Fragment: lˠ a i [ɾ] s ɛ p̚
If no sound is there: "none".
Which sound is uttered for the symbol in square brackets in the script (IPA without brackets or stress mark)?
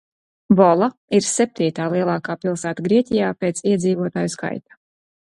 ɾ